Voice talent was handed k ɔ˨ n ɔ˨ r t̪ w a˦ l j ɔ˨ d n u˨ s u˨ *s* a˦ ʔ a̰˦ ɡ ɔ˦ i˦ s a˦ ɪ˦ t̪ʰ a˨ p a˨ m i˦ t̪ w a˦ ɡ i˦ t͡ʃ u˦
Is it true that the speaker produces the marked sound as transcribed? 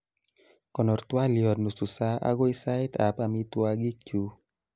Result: yes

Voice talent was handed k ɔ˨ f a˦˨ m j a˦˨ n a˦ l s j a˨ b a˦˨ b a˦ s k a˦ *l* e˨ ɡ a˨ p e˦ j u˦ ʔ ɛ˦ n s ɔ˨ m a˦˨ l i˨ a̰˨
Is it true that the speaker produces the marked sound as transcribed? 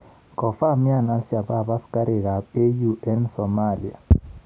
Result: no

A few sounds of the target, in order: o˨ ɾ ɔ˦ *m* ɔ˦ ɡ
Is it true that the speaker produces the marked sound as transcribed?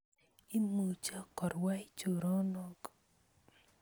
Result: no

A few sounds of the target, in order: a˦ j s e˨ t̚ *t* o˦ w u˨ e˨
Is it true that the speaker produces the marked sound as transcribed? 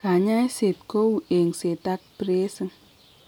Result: no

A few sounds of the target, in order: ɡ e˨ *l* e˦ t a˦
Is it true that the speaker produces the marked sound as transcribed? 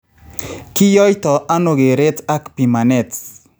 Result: no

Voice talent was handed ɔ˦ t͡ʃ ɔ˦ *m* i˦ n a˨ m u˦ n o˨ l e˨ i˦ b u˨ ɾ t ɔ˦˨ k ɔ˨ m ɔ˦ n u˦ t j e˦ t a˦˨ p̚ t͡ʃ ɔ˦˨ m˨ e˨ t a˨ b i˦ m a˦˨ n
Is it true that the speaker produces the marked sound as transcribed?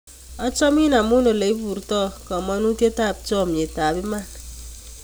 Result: yes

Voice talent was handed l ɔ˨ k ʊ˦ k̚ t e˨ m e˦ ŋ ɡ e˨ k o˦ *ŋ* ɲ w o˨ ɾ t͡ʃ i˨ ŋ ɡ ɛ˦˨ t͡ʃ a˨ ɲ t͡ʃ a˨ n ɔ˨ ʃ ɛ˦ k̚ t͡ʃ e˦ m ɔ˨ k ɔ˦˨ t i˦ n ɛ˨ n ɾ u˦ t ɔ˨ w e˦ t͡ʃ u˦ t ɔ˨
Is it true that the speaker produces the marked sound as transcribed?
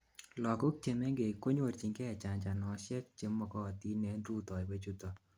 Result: no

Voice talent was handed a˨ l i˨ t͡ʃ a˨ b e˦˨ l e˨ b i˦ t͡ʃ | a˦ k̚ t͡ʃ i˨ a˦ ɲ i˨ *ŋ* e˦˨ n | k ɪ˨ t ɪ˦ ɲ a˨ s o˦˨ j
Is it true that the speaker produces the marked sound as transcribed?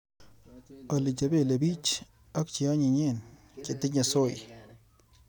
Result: no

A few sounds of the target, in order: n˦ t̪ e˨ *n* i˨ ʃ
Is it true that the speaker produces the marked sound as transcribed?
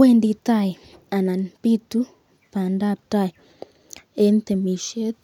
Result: no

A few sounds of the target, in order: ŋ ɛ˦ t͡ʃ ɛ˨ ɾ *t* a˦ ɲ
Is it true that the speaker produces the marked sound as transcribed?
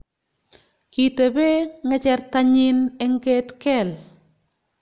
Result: yes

